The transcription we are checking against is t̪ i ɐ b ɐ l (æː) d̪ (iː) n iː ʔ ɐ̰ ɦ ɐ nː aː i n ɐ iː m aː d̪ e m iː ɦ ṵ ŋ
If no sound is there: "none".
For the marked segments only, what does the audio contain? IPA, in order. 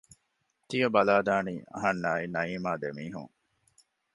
aː, aː

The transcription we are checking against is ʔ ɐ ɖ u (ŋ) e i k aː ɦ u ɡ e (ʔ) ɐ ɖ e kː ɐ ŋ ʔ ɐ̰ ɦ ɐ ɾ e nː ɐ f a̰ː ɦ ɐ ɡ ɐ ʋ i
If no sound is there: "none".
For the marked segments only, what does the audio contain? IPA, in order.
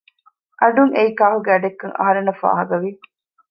ŋ, none

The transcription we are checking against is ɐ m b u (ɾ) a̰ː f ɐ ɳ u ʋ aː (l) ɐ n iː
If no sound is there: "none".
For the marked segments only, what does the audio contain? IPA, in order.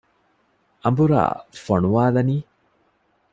ɾ, l

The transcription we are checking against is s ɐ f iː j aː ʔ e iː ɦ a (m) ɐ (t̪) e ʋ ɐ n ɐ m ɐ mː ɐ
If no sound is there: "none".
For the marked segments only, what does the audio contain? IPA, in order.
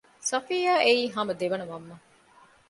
m, d̪

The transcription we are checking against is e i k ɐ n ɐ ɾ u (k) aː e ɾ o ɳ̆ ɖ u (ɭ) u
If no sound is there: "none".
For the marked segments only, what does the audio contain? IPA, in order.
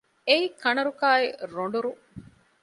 k, ɾ

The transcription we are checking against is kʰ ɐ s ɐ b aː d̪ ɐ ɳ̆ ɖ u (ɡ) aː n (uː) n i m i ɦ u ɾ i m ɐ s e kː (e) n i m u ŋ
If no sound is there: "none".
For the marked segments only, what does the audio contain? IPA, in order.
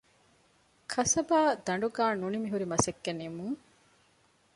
ɡ, u, e

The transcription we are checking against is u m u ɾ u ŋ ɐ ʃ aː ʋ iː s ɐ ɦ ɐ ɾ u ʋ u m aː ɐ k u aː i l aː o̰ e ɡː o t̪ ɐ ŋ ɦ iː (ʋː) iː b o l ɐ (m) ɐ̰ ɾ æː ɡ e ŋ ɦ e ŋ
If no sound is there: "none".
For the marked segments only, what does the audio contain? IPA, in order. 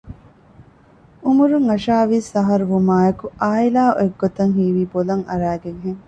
ʋ, ŋ

